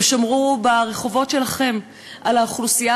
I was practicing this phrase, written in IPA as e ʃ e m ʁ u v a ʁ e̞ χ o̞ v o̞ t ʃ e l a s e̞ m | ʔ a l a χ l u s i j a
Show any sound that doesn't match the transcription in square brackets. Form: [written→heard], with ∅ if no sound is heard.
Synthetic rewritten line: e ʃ [e→a] m ʁ u [v→b] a ʁ e̞ χ o̞ v o̞ t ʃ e l a [s→χ] e̞ m | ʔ a l a χ l u s i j a